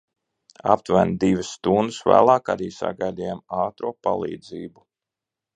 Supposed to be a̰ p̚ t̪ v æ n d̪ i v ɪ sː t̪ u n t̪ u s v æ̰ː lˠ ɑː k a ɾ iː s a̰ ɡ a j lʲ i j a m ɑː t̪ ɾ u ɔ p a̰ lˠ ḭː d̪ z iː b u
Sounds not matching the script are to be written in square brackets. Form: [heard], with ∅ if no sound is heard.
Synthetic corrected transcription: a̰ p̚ t̪ v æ n d̪ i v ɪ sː t̪ u n [d̪] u s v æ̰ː lˠ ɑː k a ɾ iː s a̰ ɡ a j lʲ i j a m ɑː t̪ ɾ u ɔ p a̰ lˠ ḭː d̪ z iː b u